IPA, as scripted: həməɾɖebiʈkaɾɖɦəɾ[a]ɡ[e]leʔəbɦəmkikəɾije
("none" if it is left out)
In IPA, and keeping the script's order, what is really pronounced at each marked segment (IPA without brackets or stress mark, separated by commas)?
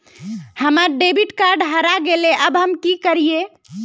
a, e